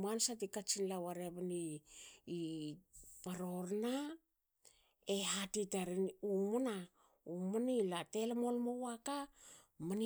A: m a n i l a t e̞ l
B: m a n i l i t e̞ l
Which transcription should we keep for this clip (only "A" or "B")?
A